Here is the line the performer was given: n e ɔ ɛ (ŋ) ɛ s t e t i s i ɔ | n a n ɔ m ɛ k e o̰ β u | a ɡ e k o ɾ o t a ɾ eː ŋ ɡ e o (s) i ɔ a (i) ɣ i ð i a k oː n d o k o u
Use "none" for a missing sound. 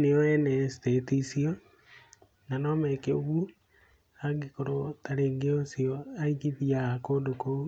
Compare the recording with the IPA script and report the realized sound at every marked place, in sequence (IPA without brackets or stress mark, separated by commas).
n, s, i